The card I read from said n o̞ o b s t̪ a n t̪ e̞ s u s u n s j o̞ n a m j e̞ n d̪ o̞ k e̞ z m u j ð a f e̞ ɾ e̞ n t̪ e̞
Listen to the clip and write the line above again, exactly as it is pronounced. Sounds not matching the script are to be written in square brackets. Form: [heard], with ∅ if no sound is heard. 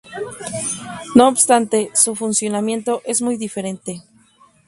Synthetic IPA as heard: n o̞ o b s t̪ a n t̪ e̞ s u [f] u n s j o̞ n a m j e̞ n [t̪] o̞ [ʔ] e̞ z m u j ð [i] f e̞ ɾ e̞ n t̪ e̞